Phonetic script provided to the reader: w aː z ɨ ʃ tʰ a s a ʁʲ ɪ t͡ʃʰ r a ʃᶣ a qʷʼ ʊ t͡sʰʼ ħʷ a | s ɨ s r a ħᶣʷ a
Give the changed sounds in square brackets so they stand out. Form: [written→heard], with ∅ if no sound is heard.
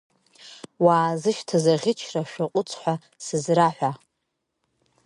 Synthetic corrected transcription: w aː z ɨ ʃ tʰ a [s→z] a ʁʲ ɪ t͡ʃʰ r a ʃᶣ a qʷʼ ʊ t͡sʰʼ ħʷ a | s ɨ [s→z] r a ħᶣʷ a